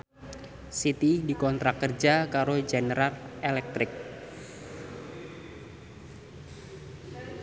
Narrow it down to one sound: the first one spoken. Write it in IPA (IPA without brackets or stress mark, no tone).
s